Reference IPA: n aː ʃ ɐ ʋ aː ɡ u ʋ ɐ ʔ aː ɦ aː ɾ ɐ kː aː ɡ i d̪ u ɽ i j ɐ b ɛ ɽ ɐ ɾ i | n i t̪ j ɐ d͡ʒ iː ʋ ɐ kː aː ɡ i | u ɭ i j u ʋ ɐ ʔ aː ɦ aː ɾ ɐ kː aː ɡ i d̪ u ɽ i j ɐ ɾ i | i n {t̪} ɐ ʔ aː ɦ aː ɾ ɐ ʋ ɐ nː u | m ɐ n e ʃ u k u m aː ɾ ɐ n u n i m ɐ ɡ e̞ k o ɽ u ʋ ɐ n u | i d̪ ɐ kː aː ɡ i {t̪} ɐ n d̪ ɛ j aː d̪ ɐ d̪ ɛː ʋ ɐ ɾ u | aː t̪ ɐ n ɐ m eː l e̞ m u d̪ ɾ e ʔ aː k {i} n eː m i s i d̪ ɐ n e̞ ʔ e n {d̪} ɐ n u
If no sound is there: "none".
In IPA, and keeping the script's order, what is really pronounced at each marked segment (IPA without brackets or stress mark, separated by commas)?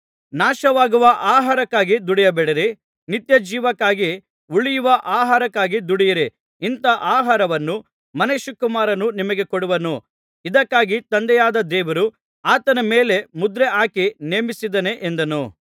t̪, t̪, i, d̪